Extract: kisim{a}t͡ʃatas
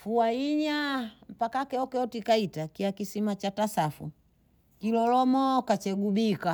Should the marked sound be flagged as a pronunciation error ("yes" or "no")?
no